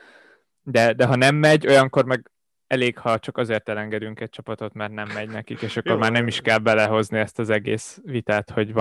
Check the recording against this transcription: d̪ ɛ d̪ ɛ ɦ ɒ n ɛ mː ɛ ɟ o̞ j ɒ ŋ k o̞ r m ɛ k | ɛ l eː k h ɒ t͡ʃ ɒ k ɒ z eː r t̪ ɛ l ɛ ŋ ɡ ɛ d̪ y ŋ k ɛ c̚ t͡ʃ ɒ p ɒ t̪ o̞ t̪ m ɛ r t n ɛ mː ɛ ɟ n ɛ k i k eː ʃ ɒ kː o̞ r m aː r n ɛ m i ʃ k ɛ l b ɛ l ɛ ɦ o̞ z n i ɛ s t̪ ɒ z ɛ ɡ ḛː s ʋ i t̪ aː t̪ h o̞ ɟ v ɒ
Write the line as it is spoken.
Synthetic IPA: d̪ ɛ d̪ ɛ ɦ ɒ n ɛ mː ɛ ɟ o̞ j ɒ ŋ k o̞ r m ɛ ɡ | ɛ l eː k h ɒ t͡ʃ ɒ k ɒ z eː r t̪ ɛ l ɛ ŋ ɡ ɛ d̪ y ŋ k ɛ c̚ t͡ʃ ɒ p ɒ t̪ o̞ t̪ m ɛ r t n ɛ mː ɛ ɟ n ɛ k i k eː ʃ ɒ kː o̞ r m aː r n ɛ m i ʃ k ɛ l b ɛ l ɛ ɦ o̞ z n i ɛ s t̪ ɒ z ɛ ɡ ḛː s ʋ i t̪ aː t̪ h o̞ ɟ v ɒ